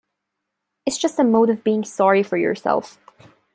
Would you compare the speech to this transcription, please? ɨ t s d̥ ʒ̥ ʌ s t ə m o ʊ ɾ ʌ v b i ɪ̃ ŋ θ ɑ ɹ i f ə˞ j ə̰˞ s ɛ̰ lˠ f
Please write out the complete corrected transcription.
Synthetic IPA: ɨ t s d̥ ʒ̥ ʌ s t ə m o ʊ ɾ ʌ v b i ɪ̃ ŋ s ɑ ɹ i f ə˞ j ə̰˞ s ɛ̰ lˠ f